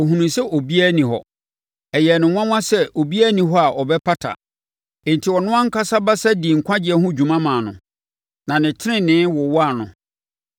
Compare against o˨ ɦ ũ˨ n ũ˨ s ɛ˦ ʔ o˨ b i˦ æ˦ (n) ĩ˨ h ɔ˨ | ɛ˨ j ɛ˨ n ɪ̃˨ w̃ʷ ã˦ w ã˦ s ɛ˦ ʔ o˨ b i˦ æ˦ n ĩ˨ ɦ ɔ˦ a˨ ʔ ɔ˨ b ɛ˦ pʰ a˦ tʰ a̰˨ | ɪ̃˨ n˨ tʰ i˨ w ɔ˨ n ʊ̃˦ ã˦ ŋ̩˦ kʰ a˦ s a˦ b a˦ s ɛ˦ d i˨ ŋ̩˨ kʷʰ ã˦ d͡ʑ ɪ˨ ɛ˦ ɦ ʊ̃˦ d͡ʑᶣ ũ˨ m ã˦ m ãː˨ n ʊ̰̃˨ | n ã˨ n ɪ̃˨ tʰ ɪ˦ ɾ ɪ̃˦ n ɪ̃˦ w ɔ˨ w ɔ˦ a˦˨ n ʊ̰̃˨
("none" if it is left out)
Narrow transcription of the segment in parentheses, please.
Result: n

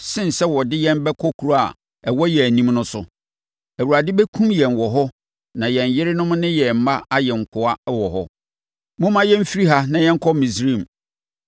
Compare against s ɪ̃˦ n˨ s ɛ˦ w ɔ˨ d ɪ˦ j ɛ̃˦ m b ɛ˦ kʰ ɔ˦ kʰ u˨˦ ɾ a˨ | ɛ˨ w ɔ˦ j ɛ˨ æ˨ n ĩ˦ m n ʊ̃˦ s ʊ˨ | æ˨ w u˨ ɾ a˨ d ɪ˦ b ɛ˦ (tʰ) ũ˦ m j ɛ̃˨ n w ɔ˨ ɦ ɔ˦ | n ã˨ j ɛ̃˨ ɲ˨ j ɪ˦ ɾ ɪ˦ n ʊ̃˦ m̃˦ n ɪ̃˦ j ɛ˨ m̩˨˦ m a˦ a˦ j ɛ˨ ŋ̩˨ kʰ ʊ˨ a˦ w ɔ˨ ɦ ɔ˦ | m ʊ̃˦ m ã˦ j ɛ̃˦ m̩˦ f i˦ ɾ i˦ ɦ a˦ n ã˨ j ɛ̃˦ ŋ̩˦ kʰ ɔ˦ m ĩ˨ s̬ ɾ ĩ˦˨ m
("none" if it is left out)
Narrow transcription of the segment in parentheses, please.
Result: kʰ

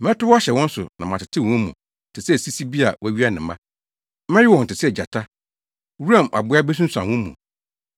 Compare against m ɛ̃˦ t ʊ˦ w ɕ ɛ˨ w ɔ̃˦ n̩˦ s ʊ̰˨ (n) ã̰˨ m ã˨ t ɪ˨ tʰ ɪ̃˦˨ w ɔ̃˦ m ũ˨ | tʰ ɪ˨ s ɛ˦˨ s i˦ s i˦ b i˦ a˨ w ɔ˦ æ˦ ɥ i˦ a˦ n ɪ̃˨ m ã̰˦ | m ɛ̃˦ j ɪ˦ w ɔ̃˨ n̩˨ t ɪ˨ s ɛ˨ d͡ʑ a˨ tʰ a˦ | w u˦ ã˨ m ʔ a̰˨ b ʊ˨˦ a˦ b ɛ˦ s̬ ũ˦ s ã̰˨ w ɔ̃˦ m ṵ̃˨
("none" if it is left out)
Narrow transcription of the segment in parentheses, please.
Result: n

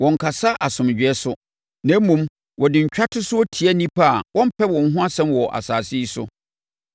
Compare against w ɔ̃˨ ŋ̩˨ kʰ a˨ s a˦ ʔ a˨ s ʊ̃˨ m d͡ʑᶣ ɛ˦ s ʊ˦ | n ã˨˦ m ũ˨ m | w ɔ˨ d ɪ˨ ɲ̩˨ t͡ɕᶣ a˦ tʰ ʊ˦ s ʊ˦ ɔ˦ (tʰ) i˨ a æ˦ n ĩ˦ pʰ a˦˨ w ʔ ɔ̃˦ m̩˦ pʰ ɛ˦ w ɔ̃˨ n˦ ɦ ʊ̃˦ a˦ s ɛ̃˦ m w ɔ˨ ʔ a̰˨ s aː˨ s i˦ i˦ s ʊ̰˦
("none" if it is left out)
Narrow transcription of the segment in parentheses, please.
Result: tʰ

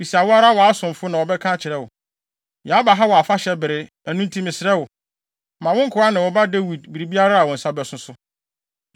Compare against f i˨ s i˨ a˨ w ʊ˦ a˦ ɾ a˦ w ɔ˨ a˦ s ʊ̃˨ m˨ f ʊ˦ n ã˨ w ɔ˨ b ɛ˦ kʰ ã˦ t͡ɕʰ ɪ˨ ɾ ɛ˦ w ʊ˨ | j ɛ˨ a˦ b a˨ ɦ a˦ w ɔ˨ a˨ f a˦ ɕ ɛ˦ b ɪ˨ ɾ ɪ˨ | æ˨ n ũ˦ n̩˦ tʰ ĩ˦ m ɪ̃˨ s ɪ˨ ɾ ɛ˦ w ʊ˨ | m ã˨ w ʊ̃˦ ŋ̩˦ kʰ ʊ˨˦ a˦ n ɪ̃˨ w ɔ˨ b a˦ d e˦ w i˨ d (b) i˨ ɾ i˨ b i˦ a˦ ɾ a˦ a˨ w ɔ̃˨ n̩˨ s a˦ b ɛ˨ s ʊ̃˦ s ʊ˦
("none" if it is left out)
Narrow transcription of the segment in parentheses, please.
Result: b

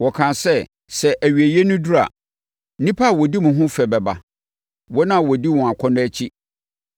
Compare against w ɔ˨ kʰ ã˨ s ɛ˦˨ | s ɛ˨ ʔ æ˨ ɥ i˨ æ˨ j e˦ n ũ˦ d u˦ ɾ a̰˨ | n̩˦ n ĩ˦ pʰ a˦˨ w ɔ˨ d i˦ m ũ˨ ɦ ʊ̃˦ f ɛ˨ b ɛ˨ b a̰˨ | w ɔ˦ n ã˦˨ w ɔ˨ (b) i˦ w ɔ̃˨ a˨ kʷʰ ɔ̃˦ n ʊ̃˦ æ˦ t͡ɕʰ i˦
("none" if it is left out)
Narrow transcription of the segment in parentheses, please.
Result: d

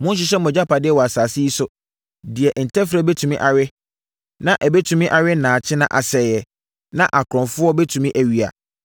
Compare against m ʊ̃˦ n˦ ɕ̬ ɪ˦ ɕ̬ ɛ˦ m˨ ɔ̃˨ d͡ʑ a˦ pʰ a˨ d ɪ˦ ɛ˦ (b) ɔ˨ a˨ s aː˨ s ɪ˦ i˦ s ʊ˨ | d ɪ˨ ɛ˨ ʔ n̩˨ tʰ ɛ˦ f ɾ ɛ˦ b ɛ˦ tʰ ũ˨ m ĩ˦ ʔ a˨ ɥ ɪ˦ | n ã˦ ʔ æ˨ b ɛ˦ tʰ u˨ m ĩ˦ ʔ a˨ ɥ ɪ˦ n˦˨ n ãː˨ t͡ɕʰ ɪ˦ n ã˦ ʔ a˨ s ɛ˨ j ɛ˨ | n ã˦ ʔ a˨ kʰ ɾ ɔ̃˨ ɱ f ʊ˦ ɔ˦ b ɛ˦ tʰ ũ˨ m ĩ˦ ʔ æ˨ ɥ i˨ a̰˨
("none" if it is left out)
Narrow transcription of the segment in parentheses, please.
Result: w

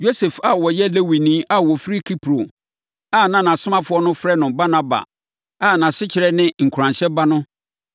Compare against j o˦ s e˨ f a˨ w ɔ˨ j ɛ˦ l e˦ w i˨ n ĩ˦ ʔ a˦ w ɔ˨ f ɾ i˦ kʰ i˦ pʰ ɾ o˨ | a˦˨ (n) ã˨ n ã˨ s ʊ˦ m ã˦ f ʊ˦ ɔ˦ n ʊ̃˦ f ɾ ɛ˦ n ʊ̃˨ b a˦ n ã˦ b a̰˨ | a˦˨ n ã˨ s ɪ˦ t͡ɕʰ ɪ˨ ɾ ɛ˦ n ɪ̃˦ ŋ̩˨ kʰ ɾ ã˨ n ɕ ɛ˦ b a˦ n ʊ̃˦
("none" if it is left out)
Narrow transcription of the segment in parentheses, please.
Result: n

